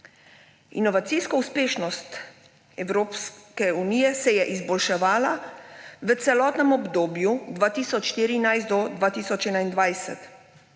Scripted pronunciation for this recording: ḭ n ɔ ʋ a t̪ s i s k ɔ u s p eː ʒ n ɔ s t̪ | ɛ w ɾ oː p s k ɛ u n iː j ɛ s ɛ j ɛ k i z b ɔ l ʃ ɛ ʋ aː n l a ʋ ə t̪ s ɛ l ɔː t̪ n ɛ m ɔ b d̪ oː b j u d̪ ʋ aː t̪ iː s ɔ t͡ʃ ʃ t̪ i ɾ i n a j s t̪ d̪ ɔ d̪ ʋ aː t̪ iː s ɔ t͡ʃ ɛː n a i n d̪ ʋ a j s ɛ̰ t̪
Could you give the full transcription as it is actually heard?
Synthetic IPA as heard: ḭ n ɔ ʋ a t̪ s i s k ɔ u s p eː ʃ n ɔ s t̪ | ɛ w ɾ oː p s k ɛ u n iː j ɛ s ɛ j ɛ ʔ i z b ɔ l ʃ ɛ ʋ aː l a ʋ ə t̪ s ɛ l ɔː t̪ n ɛ m ɔ b d̪ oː b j u d̪ ʋ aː t̪ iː s ɔ t͡ʃ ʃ t̪ i ɾ i n a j s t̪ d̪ ɔ d̪ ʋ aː t̪ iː s ɔ t͡ʃ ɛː n a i n d̪ ʋ a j s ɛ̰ t̪